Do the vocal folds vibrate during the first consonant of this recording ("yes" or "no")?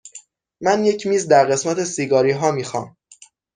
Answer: yes